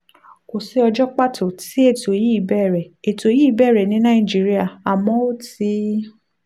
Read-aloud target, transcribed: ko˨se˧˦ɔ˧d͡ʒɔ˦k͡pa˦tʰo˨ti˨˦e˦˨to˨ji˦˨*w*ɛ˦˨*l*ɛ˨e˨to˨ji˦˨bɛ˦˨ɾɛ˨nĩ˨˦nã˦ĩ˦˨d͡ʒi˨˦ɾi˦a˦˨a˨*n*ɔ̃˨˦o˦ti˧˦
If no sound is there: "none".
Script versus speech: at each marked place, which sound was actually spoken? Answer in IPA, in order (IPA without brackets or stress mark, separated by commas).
b, ɾ, m